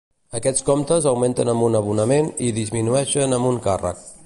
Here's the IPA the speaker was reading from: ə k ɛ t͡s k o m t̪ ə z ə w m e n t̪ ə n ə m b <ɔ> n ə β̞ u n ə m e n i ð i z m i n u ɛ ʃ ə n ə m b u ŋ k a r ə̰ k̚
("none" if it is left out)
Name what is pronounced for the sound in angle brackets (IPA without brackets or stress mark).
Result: u